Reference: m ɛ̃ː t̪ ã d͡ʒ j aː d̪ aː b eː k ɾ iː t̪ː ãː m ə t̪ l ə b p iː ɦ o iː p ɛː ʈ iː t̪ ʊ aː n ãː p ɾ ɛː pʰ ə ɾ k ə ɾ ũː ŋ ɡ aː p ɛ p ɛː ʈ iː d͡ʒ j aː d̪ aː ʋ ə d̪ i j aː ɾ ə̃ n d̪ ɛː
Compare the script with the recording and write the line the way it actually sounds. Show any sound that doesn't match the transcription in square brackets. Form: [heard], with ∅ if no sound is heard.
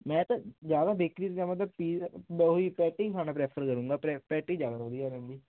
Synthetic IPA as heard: m ɛ̃ː t̪ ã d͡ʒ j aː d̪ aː b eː k ɾ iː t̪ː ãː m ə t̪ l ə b p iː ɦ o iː p ɛː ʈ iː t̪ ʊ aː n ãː p ɾ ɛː pʰ ə ɾ k ə ɾ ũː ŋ ɡ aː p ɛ p ɛː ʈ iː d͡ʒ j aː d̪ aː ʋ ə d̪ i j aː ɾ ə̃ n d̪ [iː]